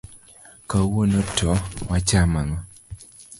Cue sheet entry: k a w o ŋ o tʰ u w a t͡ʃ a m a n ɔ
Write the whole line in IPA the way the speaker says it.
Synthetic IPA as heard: k a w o n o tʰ ɔ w a t͡ʃ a m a ŋ ɔ